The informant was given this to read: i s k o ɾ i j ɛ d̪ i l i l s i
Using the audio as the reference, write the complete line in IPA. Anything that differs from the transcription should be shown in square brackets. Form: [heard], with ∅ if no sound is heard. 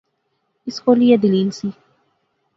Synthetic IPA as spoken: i s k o [l] i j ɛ d̪ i l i l s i